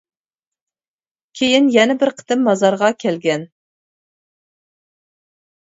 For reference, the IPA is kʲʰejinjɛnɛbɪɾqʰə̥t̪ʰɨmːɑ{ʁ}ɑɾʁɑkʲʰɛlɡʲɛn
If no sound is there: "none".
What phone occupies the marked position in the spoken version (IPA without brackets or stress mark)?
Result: z